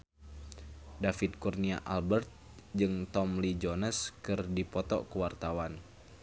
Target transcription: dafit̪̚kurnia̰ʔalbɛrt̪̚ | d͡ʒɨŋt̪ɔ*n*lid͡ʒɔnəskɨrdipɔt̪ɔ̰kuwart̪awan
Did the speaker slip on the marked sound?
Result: yes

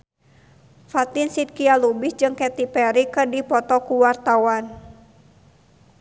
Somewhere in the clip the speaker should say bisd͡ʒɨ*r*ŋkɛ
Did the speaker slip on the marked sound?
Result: yes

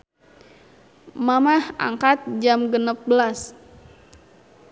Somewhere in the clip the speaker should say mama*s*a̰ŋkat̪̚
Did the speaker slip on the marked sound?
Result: yes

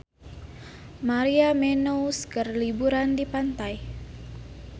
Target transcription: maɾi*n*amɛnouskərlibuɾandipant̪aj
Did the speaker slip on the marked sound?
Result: yes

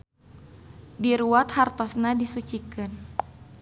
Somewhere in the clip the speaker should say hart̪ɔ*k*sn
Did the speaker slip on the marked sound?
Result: yes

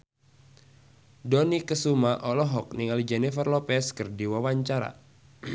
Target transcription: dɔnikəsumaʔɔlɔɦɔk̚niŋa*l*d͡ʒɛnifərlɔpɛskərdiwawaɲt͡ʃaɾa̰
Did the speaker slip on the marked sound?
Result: no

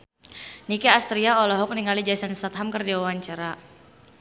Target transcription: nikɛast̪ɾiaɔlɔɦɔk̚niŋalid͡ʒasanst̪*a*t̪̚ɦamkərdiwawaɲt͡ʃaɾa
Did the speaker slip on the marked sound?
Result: no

